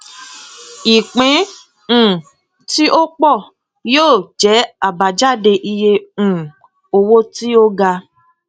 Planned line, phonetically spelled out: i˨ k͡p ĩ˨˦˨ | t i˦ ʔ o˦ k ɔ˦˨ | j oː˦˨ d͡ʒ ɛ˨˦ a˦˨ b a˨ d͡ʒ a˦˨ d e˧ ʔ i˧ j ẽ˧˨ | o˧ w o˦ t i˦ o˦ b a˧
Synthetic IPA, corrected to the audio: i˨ k͡p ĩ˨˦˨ | t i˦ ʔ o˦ k͡p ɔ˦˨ | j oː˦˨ d͡ʒ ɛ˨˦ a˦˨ b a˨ d͡ʒ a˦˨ d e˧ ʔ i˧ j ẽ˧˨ | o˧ w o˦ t i˦ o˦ ɡ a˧